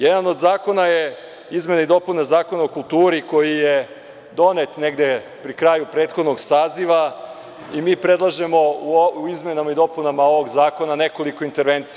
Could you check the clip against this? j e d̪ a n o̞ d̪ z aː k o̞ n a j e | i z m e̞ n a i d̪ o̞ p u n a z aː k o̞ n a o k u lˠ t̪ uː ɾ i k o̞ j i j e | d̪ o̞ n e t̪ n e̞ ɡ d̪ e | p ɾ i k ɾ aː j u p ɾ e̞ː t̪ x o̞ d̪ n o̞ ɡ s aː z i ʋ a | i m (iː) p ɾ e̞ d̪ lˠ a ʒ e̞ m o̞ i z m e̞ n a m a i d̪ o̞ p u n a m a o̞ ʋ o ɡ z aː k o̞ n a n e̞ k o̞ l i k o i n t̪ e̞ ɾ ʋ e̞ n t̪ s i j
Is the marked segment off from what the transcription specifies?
no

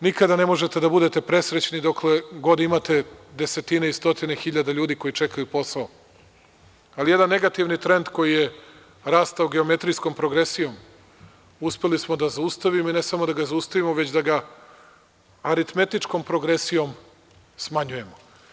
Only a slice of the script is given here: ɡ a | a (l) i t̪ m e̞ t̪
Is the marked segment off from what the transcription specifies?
yes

